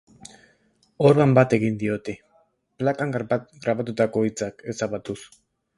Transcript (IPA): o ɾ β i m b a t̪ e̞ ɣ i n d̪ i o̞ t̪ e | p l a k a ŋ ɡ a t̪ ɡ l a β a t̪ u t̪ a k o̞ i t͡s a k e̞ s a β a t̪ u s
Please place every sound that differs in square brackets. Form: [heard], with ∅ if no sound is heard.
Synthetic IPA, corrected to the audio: o ɾ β [a] m b a t̪ e̞ ɣ i n d̪ i o̞ t̪ e | p l a k a ŋ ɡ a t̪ ɡ [ɾ] a β a t̪ u t̪ a k o̞ i t͡s a k e̞ s a β a t̪ u s